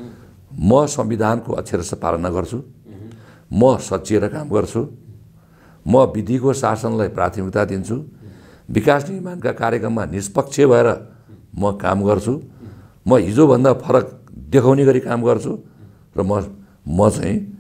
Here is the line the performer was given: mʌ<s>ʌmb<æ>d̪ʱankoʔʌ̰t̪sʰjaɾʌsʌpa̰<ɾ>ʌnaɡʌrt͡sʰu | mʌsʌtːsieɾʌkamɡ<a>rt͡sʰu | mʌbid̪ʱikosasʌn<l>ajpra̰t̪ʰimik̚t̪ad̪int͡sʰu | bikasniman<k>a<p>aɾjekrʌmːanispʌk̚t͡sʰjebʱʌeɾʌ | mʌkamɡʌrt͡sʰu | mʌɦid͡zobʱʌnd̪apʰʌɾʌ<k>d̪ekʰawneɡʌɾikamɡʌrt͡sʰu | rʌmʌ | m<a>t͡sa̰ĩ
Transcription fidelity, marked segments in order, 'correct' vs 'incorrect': correct, incorrect: i, incorrect: l, incorrect: ʌ, correct, correct, incorrect: k, correct, incorrect: ʌ

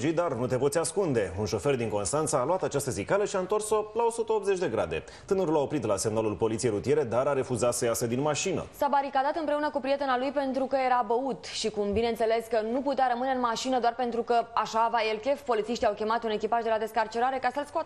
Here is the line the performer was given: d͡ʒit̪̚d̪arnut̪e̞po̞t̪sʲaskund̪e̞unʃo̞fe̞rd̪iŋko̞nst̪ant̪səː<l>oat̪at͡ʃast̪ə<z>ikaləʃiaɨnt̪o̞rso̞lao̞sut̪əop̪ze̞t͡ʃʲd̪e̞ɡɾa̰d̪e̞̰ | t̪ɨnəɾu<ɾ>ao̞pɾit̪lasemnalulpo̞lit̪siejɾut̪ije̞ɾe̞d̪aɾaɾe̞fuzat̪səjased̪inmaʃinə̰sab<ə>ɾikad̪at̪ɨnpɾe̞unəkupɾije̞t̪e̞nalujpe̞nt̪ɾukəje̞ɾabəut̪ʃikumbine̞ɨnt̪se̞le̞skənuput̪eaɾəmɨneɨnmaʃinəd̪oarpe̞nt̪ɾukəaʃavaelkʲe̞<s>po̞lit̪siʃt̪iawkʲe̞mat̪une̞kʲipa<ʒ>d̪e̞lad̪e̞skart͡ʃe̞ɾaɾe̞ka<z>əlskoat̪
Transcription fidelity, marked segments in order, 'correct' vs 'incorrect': correct, correct, incorrect: l, incorrect: a, incorrect: f, correct, incorrect: s

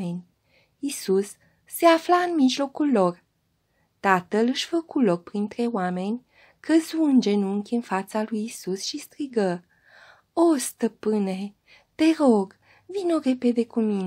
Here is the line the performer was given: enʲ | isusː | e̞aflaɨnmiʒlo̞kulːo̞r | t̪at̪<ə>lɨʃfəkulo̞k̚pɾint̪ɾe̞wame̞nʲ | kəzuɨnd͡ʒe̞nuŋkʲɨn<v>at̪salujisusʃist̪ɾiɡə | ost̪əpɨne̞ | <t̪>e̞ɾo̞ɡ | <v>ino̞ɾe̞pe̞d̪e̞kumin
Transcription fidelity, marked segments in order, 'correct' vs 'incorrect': correct, incorrect: f, correct, correct

